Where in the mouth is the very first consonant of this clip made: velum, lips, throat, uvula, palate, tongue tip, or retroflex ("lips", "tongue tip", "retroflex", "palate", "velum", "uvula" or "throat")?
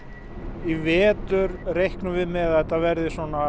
lips